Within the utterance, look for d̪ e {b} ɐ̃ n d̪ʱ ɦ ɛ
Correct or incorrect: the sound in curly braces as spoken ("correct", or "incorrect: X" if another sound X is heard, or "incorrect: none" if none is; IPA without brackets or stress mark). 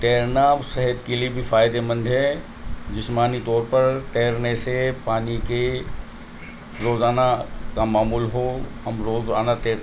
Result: incorrect: m